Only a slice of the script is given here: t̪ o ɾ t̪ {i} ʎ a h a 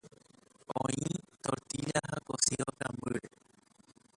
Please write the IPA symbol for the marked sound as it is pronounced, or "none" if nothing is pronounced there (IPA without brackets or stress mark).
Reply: i